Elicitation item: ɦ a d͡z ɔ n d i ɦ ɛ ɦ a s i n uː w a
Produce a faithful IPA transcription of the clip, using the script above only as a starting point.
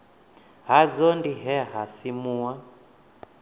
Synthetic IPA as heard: ɦ a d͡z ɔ n d i ɦ ɛ ɦ a s i m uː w a